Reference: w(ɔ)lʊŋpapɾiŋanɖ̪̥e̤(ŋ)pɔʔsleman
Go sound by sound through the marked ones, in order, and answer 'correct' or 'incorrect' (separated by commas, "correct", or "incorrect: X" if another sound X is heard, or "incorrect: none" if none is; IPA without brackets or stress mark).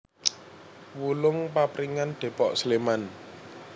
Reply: incorrect: u, incorrect: none